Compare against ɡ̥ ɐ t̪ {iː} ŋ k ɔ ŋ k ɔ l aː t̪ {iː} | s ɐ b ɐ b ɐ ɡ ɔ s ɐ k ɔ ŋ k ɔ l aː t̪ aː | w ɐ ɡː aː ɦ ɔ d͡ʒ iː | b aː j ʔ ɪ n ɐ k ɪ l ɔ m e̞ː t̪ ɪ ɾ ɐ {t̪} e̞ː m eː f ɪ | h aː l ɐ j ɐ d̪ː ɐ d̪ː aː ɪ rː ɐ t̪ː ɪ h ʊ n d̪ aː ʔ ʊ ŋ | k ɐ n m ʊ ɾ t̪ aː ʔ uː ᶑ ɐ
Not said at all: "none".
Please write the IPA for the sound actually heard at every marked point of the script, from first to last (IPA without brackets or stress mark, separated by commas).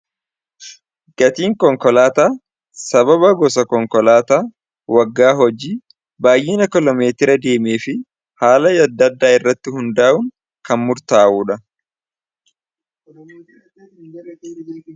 iː, aː, d̪